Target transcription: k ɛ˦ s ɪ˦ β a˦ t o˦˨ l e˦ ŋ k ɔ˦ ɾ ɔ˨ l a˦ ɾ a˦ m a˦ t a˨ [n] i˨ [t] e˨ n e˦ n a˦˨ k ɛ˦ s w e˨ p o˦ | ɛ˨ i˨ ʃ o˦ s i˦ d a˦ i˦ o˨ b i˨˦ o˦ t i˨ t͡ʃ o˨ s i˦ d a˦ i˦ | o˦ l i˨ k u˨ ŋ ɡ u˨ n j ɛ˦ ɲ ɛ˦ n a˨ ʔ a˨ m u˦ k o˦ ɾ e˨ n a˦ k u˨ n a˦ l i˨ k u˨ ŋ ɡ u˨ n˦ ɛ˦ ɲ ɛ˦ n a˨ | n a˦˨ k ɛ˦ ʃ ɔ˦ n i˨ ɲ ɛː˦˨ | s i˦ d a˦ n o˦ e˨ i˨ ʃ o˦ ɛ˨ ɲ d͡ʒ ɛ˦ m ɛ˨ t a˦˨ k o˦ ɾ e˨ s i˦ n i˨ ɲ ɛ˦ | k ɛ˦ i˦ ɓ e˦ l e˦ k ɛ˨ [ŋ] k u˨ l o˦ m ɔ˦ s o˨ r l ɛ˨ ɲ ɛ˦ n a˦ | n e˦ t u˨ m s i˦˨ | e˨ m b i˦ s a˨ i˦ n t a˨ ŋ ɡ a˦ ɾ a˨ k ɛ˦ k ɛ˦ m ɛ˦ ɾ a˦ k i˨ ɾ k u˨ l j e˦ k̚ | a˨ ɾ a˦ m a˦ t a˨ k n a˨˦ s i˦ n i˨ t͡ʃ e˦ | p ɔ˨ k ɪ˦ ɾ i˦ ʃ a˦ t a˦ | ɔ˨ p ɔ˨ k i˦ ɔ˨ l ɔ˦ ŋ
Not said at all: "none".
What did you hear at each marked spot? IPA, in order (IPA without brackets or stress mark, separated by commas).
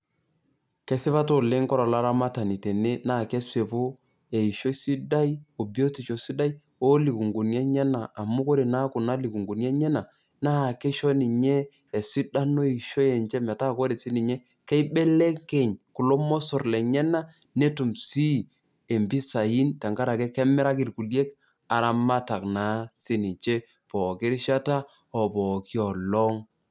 n, t, ɲ